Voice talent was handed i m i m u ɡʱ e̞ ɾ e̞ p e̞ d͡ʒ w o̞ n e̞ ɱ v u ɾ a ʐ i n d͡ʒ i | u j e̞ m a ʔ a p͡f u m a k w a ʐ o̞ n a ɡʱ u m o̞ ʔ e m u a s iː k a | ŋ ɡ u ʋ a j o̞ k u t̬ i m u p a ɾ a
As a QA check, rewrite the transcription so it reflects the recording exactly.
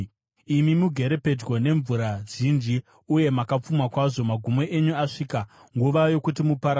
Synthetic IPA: i m i m u ɡʱ e̞ ɾ e̞ p e̞ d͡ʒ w o̞ n e̞ ɱ v u ɾ a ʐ i n d͡ʒ i | u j e̞ m a k a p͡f u m a k w a ʐ o̞ m a ɡʱ u m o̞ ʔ e ɲ u a ʂ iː k a | ŋ ɡ u ʋ a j o̞ k u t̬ i m u p a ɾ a